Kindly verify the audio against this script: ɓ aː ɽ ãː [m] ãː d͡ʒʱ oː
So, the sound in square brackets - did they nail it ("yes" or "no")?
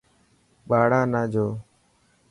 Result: no